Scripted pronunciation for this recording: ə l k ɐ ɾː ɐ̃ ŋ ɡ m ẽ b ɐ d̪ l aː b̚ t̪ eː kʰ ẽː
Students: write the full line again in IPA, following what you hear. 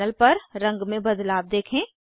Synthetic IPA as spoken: ə l p ɐ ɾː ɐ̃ ŋ ɡ m ẽ b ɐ d̪ l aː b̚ d̪ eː kʰ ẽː